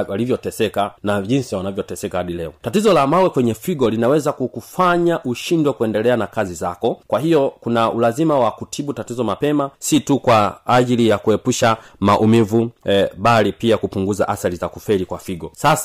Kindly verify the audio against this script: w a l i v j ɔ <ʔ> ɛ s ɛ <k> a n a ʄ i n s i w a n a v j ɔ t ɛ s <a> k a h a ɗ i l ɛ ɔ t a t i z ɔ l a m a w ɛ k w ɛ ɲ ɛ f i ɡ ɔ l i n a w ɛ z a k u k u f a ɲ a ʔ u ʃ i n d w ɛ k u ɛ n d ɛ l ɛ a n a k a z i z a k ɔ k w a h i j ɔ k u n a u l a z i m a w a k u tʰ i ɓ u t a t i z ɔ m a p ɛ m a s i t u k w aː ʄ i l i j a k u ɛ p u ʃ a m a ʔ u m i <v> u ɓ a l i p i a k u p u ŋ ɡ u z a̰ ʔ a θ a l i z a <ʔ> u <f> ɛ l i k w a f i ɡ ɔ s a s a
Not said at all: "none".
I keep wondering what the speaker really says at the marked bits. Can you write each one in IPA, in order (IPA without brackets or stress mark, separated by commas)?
t, k, ɛ, v, k, f